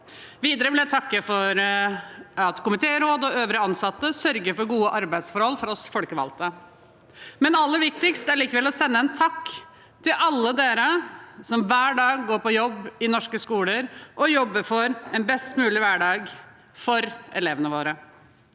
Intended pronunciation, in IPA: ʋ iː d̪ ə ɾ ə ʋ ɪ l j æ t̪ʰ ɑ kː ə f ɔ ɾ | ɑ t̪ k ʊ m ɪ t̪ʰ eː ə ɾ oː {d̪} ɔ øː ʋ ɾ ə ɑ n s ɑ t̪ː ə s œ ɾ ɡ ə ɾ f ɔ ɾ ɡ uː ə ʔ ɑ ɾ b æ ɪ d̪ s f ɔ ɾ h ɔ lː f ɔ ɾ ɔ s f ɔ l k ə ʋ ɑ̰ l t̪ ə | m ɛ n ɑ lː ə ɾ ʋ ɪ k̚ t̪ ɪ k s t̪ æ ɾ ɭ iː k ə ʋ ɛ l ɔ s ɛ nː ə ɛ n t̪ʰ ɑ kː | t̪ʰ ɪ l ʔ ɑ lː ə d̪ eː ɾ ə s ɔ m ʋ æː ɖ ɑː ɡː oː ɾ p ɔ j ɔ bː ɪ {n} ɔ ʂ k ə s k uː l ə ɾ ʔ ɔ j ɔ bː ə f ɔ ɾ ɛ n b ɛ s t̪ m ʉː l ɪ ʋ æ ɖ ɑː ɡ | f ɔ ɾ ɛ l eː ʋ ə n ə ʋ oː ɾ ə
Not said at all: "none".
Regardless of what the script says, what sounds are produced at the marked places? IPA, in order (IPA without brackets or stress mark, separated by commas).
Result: d̪, n